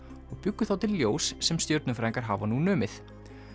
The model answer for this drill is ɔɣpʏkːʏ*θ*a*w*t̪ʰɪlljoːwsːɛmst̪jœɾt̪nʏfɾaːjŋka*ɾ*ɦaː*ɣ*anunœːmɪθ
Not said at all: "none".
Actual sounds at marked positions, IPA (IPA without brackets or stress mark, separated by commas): θ, w, ɾ, v